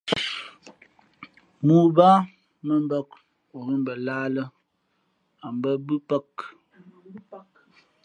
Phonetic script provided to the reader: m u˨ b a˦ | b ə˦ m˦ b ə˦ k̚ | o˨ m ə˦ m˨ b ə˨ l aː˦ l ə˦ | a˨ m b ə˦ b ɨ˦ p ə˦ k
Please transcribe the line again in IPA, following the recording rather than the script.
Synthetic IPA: m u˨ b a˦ | m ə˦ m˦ b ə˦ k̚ | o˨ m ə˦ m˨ b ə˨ l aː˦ l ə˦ | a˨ m b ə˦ b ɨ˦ p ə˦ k